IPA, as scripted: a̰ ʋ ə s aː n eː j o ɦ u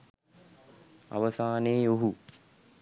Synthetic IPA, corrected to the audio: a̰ ʋ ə s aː n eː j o ɦ u